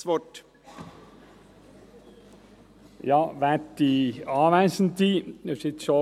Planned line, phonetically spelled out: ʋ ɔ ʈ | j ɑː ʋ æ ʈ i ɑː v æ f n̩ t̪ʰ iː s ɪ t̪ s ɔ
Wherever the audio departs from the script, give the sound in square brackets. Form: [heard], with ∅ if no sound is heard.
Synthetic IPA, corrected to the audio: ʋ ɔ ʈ | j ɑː ʋ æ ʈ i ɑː [ʋ] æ [s] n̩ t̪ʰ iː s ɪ t̪ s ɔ

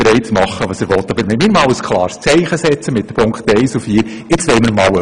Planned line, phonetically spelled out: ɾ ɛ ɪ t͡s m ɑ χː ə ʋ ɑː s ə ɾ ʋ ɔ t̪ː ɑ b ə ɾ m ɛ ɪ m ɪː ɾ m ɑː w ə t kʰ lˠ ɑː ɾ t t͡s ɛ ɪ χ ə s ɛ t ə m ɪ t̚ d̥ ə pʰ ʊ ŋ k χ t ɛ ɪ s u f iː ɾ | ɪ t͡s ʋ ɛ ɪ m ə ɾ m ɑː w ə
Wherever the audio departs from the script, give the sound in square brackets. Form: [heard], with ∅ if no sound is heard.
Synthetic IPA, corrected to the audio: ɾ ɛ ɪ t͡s m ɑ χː ə ʋ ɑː s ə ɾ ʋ ɔ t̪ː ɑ b ə ɾ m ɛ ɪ m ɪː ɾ m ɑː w ə [s] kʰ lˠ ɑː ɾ [s] t͡s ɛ ɪ χ ə s ɛ [t͡s] ə m ɪ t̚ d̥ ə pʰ ʊ ŋ k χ t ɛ ɪ s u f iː ɾ | ɪ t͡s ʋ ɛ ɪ m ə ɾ m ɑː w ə

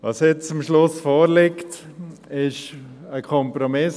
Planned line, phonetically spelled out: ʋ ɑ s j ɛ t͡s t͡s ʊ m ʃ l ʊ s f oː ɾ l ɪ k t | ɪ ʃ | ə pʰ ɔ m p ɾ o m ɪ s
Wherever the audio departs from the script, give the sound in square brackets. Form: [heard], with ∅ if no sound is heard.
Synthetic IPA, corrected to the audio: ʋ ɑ s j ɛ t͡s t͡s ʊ m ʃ l ʊ s f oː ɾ l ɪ k t | ɪ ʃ | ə [kʰ] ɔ m p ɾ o m ɪ s

